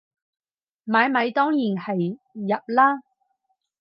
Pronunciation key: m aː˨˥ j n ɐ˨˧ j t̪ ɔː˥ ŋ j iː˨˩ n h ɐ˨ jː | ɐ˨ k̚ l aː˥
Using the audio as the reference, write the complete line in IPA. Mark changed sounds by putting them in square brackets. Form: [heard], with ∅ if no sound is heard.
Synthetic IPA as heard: m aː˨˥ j [m] ɐ˨˧ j t̪ ɔː˥ ŋ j iː˨˩ n h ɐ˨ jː | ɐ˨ [p̚] l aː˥